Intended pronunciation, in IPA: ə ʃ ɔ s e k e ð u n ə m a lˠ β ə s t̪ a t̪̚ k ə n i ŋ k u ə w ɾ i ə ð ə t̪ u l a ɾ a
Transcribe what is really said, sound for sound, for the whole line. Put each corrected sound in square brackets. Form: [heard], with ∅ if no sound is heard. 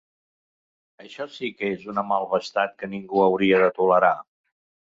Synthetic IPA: ə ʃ ɔ s [i] k e [z] u n ə m a lˠ β ə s t̪ a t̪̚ k ə n i ŋ [ɡ] u ə w ɾ i ə ð ə t̪ u l [ə] ɾ a